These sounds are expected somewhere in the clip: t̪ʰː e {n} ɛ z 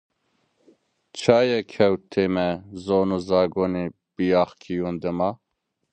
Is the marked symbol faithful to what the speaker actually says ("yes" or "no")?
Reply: no